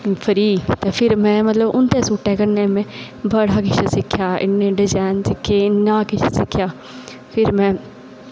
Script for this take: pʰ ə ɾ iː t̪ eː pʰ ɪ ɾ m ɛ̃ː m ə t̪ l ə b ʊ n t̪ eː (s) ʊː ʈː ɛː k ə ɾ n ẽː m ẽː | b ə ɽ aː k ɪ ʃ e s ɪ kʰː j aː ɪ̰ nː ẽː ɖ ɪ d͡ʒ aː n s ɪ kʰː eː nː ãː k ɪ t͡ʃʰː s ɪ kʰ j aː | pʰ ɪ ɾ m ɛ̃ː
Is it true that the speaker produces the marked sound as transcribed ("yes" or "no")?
yes